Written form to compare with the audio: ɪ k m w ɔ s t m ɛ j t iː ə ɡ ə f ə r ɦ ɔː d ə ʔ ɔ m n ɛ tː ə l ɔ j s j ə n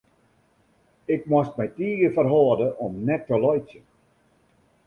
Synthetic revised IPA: ɪ k m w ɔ s t m ɛ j t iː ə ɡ ə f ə r ɦ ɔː d ə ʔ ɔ m n ɛ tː ə l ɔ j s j ə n